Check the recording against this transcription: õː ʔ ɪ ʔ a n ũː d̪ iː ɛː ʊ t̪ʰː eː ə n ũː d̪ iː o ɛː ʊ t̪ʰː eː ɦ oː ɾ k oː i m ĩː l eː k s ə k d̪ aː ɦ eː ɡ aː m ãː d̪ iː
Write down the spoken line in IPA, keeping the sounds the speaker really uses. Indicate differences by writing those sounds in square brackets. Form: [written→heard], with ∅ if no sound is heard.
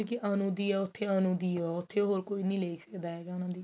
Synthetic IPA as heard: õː [ʔ→k] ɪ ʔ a n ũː d̪ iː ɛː ʊ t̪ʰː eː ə n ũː d̪ iː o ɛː ʊ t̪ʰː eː ɦ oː ɾ k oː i [m→n] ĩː l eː k s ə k d̪ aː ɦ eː ɡ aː [m→n] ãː d̪ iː